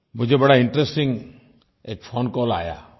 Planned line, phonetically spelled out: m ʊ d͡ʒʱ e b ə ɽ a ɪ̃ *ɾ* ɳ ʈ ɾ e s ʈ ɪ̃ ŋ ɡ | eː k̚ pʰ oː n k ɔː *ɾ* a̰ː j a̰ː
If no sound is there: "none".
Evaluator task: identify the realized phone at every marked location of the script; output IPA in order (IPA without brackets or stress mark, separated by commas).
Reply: none, l